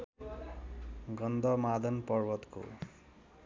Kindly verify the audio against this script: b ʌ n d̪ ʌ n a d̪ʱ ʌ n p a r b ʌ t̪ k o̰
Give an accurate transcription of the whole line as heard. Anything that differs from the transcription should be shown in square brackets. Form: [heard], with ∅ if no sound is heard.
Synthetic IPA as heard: [ɡ] ʌ n d̪ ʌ [m] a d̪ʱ ʌ n p [ʌ] r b ʌ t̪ k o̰